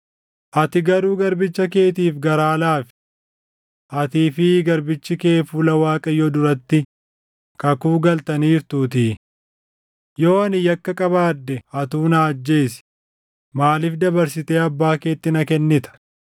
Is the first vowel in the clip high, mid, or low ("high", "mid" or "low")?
low